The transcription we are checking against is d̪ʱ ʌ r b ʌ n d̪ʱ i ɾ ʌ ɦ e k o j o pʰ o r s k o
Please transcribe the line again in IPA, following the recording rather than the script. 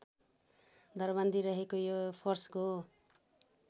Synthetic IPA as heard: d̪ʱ ʌ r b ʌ n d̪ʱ i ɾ ʌ ɦ e k o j o pʰ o r s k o